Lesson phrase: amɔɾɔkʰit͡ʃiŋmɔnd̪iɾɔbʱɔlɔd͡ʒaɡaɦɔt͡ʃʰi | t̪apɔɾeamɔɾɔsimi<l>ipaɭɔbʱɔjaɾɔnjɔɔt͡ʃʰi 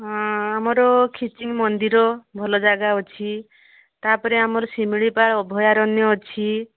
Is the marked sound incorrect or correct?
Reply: incorrect: ɭ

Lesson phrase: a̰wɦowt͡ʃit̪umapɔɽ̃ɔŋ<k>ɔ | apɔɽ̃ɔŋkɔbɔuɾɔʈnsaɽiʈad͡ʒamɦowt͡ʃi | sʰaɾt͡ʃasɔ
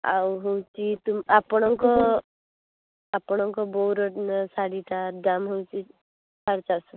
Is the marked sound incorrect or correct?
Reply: correct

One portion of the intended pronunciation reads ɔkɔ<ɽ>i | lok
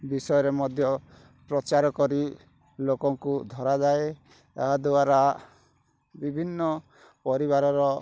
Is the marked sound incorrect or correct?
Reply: incorrect: ɾ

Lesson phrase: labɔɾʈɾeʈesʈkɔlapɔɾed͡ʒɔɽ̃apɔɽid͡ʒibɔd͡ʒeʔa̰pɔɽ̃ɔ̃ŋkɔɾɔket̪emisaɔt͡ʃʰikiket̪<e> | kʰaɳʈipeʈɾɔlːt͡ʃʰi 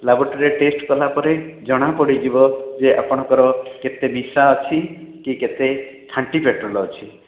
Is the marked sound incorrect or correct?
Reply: correct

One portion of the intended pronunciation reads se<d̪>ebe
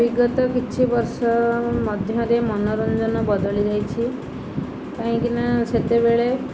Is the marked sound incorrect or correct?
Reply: incorrect: t̪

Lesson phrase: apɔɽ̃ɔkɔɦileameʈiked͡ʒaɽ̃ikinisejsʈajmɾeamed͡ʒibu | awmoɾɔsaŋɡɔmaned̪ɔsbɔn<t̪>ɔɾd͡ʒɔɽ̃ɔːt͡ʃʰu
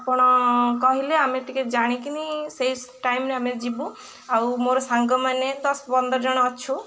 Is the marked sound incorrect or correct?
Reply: incorrect: d̪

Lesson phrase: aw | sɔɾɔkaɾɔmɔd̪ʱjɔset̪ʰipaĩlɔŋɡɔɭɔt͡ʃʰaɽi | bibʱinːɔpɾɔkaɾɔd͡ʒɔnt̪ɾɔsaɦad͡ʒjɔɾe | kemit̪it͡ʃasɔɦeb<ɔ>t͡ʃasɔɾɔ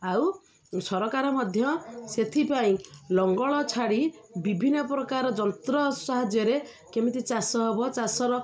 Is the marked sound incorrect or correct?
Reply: correct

